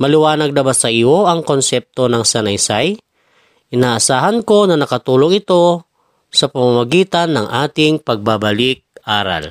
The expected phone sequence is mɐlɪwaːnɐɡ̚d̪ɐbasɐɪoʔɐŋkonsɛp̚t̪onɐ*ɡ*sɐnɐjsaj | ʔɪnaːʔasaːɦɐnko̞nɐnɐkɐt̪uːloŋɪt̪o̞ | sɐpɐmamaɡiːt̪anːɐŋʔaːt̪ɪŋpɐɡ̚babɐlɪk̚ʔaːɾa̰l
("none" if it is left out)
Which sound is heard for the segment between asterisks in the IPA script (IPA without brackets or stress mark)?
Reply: ŋ